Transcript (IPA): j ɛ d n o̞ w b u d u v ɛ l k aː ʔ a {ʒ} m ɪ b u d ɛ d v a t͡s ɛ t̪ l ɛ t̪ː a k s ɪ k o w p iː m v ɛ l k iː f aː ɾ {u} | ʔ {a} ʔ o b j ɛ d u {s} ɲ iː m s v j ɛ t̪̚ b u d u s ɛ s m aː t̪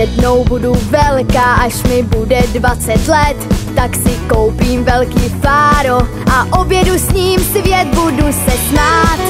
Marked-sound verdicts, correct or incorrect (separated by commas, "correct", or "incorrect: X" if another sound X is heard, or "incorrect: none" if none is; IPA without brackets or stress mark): incorrect: ʃ, incorrect: o, correct, correct